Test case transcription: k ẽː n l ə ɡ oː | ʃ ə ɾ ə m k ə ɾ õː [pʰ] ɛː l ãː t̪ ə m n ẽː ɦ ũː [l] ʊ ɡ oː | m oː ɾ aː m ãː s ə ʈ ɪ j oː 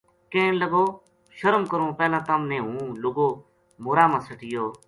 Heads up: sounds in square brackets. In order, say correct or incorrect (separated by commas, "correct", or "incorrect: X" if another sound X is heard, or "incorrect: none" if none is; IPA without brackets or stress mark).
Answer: incorrect: p, correct